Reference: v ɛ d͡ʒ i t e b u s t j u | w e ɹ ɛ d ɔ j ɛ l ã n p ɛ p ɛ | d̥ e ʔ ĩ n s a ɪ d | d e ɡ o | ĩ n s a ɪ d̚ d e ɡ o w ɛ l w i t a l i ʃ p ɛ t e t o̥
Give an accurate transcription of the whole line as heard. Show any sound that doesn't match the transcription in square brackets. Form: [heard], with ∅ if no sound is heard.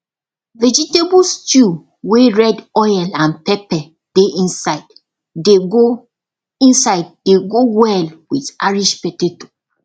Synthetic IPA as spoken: v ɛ d͡ʒ i t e b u s t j u | w e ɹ ɛ d ɔ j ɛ l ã n p ɛ p ɛ | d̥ e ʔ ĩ n s a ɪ d | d e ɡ o | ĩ n s a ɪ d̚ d e ɡ o w ɛ l w i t a [ɹ] i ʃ p ɛ t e t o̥